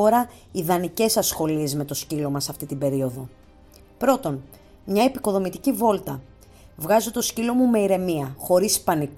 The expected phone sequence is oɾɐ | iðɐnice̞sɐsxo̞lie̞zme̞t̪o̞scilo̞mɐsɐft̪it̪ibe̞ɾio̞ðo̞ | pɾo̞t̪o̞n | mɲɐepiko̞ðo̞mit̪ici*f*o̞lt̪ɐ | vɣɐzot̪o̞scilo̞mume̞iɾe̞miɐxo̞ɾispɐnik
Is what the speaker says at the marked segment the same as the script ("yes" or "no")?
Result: no